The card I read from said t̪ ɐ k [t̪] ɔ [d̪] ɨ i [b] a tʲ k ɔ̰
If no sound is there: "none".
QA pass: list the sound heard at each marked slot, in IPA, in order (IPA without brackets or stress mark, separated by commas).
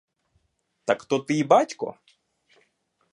t̪, t̪, b